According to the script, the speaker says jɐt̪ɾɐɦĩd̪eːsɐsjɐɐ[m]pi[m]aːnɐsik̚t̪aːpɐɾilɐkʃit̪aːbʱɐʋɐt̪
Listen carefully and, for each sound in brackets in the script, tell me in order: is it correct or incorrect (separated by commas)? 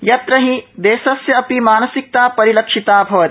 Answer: incorrect, correct